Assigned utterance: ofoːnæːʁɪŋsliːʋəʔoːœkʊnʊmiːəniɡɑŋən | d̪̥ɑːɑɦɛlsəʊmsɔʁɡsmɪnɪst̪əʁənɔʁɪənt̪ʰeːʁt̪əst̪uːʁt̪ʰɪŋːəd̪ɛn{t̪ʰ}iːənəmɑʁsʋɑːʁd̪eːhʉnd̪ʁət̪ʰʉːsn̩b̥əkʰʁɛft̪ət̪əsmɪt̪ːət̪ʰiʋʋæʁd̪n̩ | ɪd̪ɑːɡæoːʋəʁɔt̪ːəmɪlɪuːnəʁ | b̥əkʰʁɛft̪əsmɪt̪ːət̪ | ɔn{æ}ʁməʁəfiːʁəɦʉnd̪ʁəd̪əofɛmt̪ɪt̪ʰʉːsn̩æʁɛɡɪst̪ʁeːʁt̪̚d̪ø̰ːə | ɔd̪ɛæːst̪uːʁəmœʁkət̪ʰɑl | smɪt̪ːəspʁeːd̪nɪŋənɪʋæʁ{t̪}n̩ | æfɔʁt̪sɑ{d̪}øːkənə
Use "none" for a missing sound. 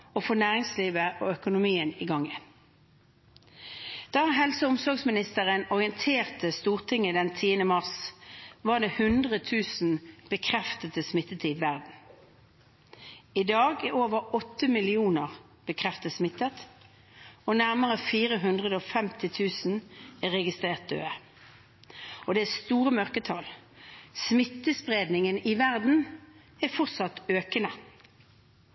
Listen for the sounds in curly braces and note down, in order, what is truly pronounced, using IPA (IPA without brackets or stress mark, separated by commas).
t̪ʰ, æ, d̪, t̪